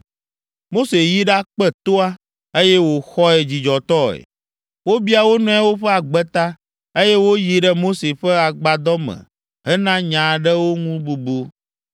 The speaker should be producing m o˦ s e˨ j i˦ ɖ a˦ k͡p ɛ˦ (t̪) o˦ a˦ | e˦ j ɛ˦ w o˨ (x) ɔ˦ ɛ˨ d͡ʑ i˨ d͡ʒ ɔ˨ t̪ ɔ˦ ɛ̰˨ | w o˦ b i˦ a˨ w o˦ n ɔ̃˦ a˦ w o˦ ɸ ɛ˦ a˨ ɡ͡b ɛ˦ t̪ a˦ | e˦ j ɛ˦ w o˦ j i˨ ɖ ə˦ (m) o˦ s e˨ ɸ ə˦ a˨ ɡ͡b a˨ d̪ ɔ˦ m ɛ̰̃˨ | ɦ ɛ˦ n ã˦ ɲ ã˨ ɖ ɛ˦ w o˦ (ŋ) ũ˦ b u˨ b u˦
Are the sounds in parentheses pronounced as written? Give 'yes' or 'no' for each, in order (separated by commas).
yes, yes, yes, yes